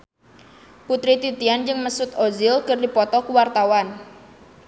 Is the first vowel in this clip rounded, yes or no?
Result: yes